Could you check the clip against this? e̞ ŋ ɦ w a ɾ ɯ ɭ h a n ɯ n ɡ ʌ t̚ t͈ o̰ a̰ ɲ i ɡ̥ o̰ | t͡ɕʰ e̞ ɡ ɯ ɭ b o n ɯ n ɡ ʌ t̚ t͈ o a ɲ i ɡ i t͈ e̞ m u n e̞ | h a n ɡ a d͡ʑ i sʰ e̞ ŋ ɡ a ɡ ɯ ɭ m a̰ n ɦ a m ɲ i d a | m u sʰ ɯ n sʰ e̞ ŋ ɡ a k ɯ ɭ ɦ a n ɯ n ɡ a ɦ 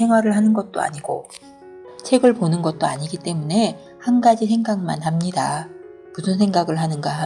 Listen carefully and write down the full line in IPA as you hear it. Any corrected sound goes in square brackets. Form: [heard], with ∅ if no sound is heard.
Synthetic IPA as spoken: e̞ ŋ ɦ w a ɾ ɯ ɭ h a n ɯ n ɡ ʌ t̚ t͈ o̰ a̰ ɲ i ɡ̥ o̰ | t͡ɕʰ e̞ ɡ ɯ ɭ [p] o n ɯ n ɡ ʌ t̚ t͈ o a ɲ i ɡ i t͈ e̞ m u n e̞ | h a n ɡ a d͡ʑ i sʰ e̞ ŋ ɡ a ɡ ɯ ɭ m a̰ n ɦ a m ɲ i d a | m u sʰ ɯ n sʰ e̞ ŋ ɡ a [ɡ] ɯ ɭ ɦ a n ɯ n ɡ a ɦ